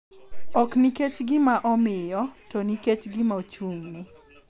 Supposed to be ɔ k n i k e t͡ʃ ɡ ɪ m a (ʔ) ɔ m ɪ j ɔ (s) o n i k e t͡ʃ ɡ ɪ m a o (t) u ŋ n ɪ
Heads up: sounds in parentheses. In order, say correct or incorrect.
correct, incorrect: t, incorrect: t͡ʃ

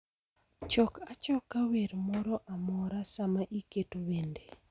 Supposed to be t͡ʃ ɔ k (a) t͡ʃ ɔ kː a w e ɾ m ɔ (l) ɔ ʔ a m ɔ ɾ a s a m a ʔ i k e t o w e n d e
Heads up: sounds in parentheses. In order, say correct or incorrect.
correct, incorrect: ɾ

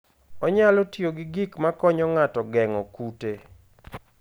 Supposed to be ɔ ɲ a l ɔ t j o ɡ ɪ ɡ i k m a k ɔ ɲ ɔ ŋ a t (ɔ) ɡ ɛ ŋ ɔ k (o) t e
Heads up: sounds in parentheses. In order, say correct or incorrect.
correct, incorrect: u

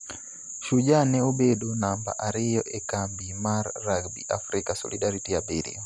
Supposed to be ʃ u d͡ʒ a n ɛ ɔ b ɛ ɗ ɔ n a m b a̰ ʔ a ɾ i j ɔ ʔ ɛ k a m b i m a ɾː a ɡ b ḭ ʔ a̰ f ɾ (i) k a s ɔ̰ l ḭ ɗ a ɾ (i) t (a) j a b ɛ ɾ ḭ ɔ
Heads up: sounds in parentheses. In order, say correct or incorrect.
correct, correct, incorrect: i

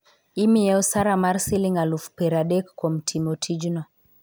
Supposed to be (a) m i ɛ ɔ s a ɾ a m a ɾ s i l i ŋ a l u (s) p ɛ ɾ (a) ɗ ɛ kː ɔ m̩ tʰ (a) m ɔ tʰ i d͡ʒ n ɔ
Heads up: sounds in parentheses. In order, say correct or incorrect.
incorrect: i, incorrect: f, correct, incorrect: i

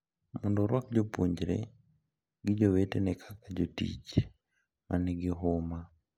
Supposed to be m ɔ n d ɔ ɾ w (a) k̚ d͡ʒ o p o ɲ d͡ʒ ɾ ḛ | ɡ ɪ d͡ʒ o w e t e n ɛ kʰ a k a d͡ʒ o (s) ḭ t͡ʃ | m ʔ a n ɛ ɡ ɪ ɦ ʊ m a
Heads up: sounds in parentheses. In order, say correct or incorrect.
correct, incorrect: t

